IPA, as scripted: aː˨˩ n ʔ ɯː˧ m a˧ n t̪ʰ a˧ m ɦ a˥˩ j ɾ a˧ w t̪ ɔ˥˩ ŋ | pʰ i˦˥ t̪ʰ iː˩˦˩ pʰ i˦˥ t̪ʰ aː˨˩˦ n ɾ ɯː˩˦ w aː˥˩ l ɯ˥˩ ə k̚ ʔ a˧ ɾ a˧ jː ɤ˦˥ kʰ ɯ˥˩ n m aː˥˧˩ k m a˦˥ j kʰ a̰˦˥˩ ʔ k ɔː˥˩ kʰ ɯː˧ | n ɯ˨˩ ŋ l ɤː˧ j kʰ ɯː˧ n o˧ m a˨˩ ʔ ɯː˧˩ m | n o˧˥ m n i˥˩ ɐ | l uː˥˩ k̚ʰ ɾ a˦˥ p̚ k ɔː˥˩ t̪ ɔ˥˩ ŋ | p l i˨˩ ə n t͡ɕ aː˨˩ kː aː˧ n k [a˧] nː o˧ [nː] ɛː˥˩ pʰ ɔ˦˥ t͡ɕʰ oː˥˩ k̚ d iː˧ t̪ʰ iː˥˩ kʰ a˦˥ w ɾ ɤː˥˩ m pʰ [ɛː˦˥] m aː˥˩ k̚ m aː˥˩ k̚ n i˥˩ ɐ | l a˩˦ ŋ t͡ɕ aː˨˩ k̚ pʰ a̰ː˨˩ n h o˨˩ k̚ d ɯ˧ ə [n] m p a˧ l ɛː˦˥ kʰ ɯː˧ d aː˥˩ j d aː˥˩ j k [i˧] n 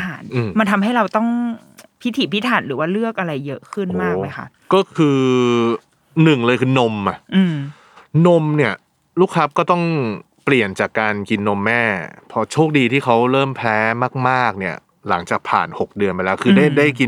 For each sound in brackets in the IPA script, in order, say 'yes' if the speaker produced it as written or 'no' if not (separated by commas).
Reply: no, no, yes, yes, yes